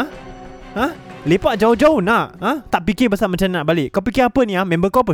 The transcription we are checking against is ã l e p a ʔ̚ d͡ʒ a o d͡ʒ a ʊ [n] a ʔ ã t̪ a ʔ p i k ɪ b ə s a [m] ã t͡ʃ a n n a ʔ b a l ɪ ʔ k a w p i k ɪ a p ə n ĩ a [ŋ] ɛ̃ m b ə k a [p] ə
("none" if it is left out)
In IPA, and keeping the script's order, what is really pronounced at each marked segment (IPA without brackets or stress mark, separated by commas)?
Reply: n, m, m, p